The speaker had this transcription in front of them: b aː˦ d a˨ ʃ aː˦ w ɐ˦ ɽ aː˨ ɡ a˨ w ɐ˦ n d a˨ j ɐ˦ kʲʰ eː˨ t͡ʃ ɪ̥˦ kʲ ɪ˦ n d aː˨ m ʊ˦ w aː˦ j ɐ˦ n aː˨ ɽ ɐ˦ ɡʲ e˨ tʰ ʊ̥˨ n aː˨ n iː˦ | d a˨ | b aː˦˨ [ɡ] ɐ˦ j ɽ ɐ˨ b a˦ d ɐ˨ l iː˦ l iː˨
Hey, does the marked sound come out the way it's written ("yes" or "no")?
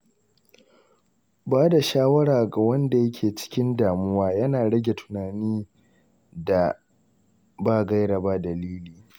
yes